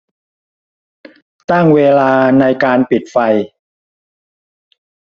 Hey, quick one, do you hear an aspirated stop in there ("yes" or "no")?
no